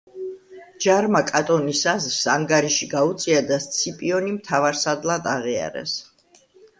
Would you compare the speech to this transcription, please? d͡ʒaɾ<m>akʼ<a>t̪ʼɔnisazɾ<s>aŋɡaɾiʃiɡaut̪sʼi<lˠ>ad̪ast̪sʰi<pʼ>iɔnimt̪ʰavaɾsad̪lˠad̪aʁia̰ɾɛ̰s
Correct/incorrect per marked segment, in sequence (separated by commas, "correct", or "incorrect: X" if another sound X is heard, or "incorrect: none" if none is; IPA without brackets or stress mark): correct, correct, correct, incorrect: none, correct